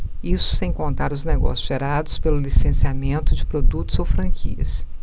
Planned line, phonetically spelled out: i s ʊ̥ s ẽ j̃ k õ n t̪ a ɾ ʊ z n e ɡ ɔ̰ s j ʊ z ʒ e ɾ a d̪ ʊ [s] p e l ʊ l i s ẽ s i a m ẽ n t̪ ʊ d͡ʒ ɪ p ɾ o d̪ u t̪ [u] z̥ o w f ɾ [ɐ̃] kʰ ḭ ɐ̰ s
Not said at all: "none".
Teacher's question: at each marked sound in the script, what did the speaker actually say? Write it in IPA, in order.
s, ʊ, ɐ̃

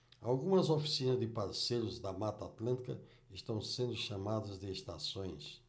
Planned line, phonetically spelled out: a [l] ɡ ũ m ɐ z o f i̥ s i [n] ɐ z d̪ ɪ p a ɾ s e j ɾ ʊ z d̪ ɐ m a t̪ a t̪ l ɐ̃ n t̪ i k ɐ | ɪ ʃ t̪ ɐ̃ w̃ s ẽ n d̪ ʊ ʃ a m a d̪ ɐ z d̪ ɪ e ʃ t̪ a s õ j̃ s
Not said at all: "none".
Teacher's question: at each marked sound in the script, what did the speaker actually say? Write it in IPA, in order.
l, n

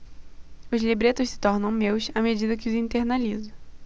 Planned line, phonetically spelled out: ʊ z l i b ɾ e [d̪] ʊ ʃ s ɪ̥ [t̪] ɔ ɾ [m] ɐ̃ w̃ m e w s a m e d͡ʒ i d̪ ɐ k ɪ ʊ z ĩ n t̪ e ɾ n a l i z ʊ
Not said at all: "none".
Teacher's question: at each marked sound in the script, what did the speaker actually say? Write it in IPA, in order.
t̪, t̪, n

